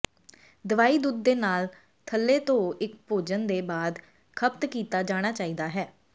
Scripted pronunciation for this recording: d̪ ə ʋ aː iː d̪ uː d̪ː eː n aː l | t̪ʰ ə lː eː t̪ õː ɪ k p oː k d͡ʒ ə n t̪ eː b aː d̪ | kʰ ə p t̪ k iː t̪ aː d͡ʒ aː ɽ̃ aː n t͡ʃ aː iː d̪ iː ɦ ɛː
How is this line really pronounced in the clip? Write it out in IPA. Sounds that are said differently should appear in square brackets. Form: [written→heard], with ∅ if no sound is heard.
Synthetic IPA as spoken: d̪ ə ʋ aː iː d̪ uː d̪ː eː n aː l | t̪ʰ ə lː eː t̪ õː ɪ k p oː [k→∅] d͡ʒ ə n [t̪→d̪] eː b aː d̪ | kʰ ə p t̪ k iː t̪ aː d͡ʒ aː ɽ̃ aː [n→∅] t͡ʃ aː iː d̪ [iː→aː] ɦ ɛː